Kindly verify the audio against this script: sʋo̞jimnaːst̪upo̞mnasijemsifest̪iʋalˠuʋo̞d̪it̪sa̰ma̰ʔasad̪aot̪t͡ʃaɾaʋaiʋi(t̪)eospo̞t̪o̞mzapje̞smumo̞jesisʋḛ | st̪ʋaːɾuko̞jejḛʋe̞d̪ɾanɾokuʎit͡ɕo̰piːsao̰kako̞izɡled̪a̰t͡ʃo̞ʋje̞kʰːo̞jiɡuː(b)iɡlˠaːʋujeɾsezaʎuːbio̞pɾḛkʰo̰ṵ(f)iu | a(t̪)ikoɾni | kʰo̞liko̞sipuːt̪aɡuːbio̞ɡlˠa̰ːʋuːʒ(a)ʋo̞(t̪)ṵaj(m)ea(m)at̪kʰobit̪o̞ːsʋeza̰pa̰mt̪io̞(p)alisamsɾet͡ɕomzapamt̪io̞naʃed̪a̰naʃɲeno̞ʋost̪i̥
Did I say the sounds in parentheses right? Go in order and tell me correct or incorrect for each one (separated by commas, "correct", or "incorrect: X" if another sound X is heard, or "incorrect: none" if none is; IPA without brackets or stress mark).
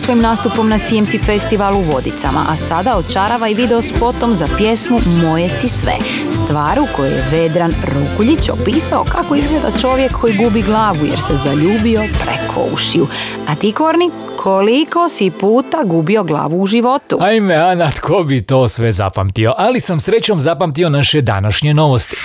incorrect: d̪, correct, incorrect: ʃ, correct, incorrect: i, correct, correct, incorrect: n, incorrect: ʔ